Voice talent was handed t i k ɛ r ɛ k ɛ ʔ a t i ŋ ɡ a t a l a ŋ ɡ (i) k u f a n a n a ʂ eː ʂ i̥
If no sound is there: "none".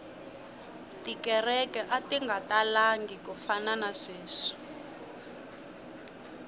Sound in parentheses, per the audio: i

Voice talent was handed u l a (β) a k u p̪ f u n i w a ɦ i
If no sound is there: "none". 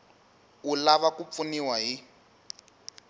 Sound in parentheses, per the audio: β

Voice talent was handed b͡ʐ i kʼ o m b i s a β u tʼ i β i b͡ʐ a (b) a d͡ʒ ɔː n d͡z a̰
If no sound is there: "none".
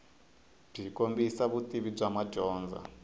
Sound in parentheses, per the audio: m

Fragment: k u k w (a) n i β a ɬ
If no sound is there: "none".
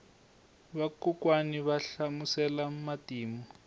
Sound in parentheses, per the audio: a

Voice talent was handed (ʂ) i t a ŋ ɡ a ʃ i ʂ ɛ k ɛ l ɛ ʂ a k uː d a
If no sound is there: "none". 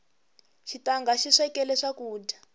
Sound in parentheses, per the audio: ʃ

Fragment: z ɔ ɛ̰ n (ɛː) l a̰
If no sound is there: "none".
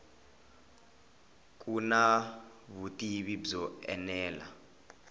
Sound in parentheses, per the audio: ɛː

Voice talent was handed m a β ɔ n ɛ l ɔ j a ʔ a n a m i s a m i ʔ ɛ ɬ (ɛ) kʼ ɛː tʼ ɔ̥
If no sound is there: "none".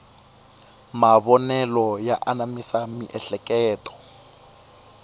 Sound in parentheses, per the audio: ɛ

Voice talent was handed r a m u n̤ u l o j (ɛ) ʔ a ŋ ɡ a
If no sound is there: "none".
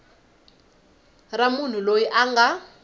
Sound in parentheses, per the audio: i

